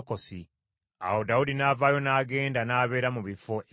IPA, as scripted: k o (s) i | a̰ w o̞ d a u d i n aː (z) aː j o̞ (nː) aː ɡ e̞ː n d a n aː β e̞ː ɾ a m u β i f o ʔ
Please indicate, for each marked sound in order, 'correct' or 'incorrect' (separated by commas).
correct, incorrect, incorrect